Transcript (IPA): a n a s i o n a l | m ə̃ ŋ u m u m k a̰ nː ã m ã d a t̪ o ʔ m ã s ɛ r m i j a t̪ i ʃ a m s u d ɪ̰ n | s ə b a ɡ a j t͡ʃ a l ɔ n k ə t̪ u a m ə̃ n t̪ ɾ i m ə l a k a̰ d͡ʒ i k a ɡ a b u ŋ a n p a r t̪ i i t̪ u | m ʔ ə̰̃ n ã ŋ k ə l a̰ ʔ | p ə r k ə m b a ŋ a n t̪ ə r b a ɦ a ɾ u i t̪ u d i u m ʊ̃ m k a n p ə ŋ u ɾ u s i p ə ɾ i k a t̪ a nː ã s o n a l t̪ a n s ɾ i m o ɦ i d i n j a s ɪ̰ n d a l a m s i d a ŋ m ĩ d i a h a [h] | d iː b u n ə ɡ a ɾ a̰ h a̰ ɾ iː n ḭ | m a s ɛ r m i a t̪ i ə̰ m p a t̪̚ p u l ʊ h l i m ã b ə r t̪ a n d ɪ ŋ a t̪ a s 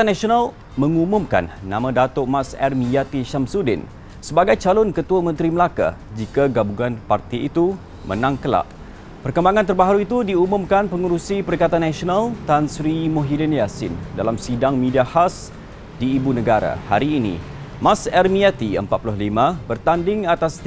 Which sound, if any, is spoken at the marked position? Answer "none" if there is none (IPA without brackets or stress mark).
s